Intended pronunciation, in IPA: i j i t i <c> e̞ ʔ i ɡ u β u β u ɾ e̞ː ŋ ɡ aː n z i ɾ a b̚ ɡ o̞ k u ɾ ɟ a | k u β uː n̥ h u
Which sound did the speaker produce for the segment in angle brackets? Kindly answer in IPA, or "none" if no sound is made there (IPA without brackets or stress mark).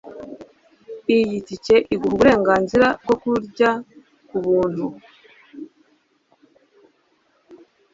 c